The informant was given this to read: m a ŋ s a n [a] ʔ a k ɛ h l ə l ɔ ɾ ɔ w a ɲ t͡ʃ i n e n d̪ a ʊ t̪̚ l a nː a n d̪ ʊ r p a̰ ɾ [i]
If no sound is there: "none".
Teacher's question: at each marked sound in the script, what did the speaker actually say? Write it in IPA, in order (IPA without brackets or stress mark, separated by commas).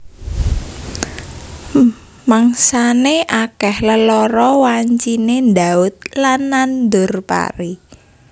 e, i